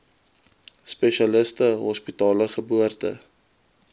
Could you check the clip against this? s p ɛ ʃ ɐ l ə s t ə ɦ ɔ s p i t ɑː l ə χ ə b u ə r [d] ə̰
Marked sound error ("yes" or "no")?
yes